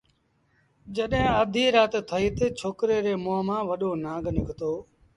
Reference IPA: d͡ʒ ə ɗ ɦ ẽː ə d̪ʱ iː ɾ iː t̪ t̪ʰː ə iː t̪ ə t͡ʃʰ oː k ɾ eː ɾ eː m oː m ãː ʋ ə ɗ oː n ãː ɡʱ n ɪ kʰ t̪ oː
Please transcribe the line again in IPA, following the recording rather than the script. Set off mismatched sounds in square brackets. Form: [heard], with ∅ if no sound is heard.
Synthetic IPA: d͡ʒ ə ɗ ɦ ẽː ə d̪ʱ iː ɾ [aː] t̪ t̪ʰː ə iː t̪ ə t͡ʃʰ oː k ɾ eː ɾ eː m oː m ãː ʋ ə ɗ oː n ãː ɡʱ n ɪ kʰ t̪ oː